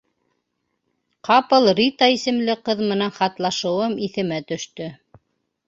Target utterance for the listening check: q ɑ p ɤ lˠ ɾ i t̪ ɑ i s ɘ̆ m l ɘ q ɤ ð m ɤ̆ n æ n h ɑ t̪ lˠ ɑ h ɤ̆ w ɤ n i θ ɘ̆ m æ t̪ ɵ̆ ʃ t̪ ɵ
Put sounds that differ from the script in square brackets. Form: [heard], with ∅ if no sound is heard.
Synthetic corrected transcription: q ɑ p ɤ lˠ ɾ i t̪ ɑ i s ɘ̆ m l ɘ q ɤ ð m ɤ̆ n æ n [χ] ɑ t̪ lˠ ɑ [ʃ] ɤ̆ w ɤ [m] i θ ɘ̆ m æ t̪ ɵ̆ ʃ t̪ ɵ

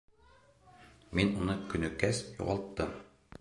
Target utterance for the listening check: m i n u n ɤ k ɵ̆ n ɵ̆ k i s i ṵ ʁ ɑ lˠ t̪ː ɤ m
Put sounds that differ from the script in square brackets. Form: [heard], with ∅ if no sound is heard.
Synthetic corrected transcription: m i n u n ɤ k ɵ̆ n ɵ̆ k [æ] s [j] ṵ ʁ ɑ lˠ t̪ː ɤ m

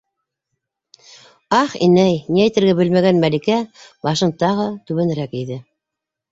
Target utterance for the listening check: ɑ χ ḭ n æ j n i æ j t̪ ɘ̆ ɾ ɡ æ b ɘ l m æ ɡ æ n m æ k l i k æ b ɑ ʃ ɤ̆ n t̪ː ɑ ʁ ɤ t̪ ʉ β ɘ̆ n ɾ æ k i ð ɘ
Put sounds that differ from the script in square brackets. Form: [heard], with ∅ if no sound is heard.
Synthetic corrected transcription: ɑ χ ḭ n æ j n i æ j t̪ ɘ̆ ɾ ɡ æ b ɘ l m æ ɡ æ n m æ [∅] l i k æ b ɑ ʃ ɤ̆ n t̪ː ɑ ʁ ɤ t̪ ʉ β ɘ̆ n ɾ æ k i ð ɘ

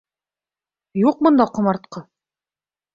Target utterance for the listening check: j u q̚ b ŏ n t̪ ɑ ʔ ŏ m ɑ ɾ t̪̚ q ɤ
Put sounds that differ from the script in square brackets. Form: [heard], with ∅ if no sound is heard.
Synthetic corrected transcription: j u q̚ [m] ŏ n [d̪] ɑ [q] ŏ m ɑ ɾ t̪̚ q ɤ

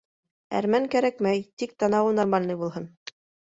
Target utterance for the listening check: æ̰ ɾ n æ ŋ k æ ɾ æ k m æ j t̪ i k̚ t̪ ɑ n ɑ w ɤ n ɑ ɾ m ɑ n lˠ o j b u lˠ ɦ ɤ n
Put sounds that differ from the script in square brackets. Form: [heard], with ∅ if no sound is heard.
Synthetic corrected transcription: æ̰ ɾ [m] æ ŋ k æ ɾ æ k m æ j t̪ i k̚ t̪ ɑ n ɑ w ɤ n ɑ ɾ m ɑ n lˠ [ɤ] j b u lˠ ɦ ɤ n

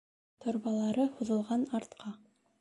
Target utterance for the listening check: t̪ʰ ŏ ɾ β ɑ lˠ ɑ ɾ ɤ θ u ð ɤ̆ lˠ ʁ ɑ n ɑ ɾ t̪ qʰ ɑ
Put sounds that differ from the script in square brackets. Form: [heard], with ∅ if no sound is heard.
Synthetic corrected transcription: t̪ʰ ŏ ɾ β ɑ lˠ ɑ ɾ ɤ [h] u ð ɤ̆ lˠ ʁ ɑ n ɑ ɾ t̪ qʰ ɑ

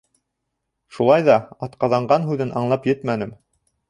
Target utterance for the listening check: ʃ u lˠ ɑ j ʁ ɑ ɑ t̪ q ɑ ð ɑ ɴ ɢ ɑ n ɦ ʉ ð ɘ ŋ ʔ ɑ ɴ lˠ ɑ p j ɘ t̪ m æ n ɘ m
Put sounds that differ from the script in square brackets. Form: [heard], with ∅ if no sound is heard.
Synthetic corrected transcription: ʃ u lˠ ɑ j [ð] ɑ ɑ t̪ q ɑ ð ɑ ɴ ɢ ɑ n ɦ ʉ ð ɘ [n] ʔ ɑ ɴ lˠ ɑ p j ɘ t̪ m æ n ɘ m

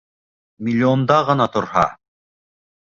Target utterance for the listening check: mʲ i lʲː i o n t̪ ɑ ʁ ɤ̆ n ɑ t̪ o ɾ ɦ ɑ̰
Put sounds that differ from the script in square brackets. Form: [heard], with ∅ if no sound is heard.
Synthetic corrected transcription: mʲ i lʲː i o n [d̪] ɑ ʁ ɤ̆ n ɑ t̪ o ɾ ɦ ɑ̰

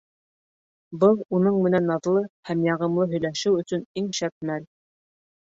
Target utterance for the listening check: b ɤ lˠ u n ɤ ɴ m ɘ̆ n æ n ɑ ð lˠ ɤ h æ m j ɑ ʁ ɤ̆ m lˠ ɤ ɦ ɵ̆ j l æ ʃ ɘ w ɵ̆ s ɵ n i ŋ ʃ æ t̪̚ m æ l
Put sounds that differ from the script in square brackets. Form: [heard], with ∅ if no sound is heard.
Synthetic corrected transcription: b ɤ lˠ u n ɤ ɴ m ɘ̆ n æ n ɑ ð lˠ ɤ h æ m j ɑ ʁ ɤ̆ m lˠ ɤ ɦ ɵ̆ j l æ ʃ ɘ w ɵ̆ s ɵ n i ŋ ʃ æ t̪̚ m æ l

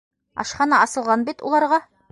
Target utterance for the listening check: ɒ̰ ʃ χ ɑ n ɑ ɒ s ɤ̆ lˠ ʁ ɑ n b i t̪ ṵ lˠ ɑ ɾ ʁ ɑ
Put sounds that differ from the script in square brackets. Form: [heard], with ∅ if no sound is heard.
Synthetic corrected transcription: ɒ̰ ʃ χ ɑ n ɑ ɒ s ɤ̆ lˠ ʁ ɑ n b i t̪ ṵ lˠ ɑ ɾ ʁ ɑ

